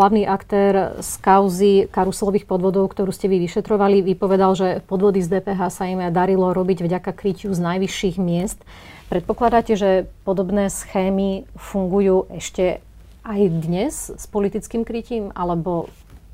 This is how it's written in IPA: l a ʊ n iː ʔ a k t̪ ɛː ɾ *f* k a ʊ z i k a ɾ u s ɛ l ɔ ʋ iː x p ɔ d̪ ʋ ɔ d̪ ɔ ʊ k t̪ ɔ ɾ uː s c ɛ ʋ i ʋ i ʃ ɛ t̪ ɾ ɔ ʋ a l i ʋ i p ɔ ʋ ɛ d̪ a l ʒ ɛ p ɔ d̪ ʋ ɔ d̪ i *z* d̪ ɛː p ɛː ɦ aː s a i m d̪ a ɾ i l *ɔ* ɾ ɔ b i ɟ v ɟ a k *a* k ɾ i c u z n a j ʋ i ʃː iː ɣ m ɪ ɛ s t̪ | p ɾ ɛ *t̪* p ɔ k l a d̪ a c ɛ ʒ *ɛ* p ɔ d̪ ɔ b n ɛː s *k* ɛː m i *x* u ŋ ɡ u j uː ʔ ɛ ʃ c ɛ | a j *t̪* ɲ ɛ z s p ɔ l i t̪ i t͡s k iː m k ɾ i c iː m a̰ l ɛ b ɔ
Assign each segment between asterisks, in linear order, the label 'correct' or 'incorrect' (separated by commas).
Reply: incorrect, correct, correct, correct, correct, correct, incorrect, incorrect, incorrect